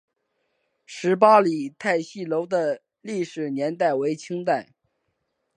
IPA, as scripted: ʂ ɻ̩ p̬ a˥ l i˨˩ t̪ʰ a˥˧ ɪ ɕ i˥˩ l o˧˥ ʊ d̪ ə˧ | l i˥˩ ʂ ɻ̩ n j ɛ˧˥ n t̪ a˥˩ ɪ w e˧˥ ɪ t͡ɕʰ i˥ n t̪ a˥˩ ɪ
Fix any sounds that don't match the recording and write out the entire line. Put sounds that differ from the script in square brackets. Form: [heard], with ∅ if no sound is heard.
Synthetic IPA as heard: ʂ ɻ̩ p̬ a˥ l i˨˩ t̪ʰ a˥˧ ɪ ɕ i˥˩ l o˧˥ ʊ d̪ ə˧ | l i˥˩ ʂ ɻ̩ n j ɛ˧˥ n t̪ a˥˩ ɪ w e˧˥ ɪ t͡ɕʰ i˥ [ŋ] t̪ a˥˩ ɪ

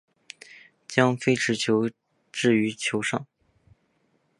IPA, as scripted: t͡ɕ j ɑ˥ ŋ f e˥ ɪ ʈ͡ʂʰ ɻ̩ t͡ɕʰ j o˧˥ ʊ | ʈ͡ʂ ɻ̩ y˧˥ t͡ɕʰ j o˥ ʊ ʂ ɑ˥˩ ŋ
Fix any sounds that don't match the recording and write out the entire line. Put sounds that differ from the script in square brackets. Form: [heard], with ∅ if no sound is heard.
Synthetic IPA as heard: t͡ɕ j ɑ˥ ŋ f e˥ ɪ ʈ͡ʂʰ ɻ̩ t͡ɕʰ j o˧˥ ʊ | ʈ͡ʂ ɻ̩ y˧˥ t͡ɕʰ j [o˧˥] ʊ ʂ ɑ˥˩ ŋ

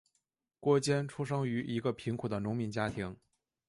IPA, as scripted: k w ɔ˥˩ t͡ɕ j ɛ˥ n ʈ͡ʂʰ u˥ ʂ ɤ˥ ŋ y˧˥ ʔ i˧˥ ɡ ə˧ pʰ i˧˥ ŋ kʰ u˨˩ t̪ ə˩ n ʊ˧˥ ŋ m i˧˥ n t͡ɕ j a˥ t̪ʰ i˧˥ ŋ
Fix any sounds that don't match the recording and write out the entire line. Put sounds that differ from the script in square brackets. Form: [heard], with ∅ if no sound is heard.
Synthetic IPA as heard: k w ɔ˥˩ t͡ɕ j ɛ˥ n ʈ͡ʂʰ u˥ ʂ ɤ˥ ŋ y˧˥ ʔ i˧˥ ɡ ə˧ pʰ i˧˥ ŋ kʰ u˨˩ [d̪] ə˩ n ʊ˧˥ ŋ m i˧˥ n t͡ɕ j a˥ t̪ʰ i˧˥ ŋ

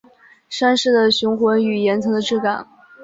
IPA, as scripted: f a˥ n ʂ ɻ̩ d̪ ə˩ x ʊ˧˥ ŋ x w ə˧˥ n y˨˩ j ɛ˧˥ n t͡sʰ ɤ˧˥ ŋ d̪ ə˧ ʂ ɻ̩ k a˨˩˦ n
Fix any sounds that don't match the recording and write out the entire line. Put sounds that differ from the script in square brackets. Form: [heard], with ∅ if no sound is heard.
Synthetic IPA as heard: [ʂ] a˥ n ʂ ɻ̩ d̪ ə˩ [ɕ] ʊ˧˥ ŋ x w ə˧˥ n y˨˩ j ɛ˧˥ n t͡sʰ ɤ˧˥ ŋ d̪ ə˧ [ʈ͡ʂ] ɻ̩ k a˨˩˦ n

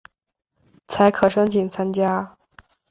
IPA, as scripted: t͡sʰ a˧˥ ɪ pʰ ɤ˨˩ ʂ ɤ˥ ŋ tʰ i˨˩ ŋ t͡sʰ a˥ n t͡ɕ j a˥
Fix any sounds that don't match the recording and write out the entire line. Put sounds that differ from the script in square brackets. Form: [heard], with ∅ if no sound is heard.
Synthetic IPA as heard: t͡sʰ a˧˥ ɪ [kʰ] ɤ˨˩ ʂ ɤ˥ ŋ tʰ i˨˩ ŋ t͡sʰ a˥ n t͡ɕ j a˥

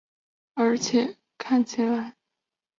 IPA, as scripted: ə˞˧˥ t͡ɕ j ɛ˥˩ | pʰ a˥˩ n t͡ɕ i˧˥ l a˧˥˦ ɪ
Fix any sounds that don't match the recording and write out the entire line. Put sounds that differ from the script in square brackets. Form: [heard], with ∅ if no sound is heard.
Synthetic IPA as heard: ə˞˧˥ [t͡ɕʰ] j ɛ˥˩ | [kʰ] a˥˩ n [t͡ɕʰ] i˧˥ l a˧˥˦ ɪ

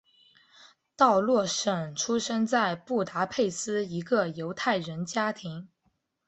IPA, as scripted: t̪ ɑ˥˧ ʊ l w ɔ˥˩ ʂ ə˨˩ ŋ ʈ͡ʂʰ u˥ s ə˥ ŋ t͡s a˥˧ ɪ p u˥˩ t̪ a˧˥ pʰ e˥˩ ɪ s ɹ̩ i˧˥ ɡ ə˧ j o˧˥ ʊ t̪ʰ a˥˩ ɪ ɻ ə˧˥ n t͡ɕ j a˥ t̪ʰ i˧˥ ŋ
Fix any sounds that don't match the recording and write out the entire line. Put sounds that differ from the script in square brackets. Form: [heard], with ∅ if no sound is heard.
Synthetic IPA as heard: t̪ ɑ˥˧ ʊ l w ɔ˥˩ ʂ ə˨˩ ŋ ʈ͡ʂʰ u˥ [ʂ] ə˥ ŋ t͡s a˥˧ ɪ p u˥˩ t̪ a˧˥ pʰ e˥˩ ɪ s ɹ̩ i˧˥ ɡ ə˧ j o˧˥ ʊ t̪ʰ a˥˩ ɪ ɻ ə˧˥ n t͡ɕ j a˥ t̪ʰ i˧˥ ŋ

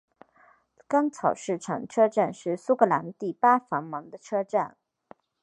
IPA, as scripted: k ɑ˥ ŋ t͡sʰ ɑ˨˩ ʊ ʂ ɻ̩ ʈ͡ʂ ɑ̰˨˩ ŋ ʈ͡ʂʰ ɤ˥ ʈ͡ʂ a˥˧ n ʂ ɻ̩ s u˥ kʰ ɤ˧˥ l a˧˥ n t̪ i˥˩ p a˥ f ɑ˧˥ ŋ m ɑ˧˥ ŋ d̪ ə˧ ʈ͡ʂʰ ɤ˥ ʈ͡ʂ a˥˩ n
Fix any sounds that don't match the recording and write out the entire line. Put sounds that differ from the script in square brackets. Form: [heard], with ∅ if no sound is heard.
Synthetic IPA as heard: k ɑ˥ ŋ t͡sʰ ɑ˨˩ ʊ ʂ ɻ̩ [ʈ͡ʂʰ] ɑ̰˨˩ ŋ ʈ͡ʂʰ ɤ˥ ʈ͡ʂ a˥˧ n ʂ ɻ̩ s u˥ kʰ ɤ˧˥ l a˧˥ n t̪ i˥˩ p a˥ f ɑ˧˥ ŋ m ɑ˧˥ ŋ d̪ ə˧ ʈ͡ʂʰ ɤ˥ ʈ͡ʂ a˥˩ n

